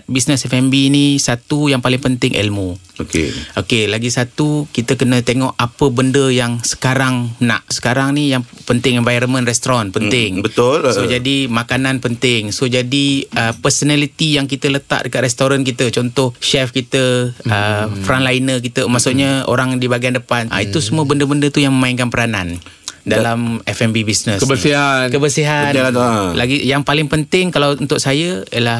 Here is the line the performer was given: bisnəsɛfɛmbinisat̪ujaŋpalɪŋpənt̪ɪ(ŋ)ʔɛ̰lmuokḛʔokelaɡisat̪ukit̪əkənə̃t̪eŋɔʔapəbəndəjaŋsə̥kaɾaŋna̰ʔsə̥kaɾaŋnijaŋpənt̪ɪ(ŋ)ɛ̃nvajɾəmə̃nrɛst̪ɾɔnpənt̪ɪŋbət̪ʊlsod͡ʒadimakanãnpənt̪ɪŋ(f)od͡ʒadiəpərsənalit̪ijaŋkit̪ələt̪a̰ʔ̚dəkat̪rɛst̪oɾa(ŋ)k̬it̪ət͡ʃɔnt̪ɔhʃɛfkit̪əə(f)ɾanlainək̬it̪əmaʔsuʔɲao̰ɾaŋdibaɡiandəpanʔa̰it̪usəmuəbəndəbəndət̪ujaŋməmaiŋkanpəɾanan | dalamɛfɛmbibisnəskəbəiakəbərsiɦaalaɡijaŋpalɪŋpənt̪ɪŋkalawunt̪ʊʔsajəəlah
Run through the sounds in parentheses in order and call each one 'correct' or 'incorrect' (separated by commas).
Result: correct, correct, incorrect, incorrect, correct